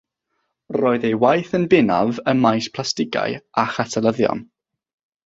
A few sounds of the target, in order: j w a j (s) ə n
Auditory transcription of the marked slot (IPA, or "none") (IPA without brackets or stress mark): θ